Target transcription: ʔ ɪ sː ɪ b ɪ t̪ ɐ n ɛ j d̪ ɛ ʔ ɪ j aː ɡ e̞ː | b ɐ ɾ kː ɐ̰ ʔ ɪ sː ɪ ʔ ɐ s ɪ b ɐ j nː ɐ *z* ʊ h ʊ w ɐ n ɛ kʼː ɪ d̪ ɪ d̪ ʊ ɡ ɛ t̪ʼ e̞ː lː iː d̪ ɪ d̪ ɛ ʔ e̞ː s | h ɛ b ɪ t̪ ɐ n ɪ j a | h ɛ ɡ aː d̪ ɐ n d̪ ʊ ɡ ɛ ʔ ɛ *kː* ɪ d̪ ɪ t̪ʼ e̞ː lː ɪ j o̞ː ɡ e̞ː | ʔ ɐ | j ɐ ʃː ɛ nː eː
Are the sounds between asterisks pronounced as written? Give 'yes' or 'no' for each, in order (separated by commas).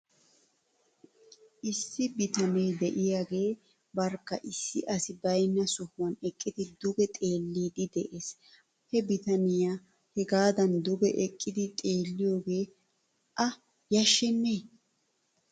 no, no